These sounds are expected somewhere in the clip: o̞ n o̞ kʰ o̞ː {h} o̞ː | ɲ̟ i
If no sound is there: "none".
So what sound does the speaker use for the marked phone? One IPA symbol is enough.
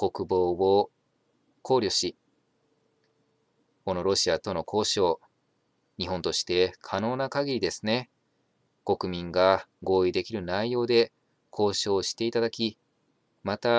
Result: ɕ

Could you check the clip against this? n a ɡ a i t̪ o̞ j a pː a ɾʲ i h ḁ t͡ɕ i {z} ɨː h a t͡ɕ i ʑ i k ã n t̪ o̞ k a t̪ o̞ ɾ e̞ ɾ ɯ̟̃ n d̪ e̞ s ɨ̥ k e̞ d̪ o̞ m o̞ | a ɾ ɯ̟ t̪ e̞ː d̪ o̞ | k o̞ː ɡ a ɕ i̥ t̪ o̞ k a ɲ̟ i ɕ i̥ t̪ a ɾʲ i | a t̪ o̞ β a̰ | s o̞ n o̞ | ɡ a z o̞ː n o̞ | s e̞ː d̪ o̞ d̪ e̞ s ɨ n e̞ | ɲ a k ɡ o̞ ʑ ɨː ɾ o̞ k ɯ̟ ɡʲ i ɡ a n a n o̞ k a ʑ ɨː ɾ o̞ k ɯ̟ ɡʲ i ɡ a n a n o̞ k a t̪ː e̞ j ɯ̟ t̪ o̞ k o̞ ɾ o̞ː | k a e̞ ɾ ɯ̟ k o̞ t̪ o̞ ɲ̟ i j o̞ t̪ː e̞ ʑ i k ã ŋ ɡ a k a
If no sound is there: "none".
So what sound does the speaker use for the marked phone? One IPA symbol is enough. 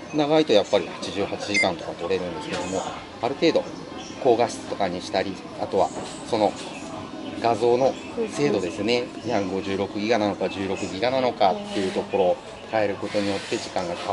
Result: ʑ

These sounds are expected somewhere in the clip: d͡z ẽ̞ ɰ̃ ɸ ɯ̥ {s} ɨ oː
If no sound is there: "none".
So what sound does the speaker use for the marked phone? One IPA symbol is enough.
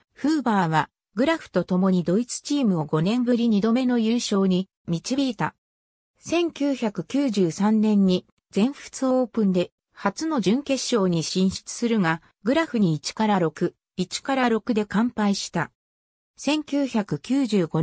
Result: t͡s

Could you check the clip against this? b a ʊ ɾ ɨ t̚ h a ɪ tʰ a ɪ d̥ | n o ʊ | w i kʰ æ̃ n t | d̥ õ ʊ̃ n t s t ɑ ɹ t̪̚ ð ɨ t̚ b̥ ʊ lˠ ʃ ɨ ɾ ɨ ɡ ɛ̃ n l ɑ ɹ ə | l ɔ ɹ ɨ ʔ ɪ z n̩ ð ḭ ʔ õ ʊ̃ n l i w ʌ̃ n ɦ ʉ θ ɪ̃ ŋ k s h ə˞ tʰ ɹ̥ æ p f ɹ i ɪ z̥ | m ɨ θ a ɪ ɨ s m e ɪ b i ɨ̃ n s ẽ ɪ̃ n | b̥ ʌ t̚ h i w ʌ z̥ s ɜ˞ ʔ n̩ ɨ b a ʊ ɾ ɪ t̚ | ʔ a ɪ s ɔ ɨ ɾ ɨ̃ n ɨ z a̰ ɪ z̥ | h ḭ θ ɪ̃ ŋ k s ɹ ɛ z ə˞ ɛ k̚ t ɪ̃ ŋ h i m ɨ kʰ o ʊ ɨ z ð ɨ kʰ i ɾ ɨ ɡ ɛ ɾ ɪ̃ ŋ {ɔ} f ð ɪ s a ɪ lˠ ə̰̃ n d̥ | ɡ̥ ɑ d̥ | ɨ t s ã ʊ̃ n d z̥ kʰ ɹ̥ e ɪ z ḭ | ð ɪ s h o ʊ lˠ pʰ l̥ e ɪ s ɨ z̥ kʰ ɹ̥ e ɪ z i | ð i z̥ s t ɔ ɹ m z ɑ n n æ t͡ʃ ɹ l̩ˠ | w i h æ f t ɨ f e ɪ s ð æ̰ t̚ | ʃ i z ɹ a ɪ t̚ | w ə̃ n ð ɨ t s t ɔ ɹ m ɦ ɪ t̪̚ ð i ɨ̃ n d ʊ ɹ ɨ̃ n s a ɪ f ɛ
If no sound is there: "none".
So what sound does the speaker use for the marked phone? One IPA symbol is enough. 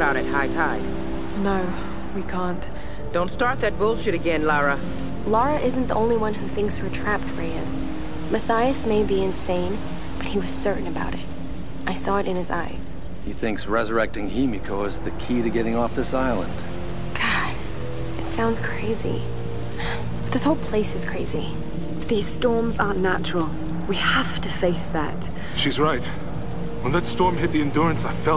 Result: ɔ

